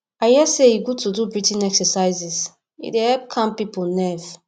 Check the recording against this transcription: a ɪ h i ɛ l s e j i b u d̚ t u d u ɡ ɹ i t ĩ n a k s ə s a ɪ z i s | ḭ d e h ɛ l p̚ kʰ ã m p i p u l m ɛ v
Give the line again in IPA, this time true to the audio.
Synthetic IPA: a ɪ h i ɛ s e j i ɡ u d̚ t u d u b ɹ i t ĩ n ɛ k s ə s a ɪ z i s | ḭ d e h ɛ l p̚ kʰ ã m p i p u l n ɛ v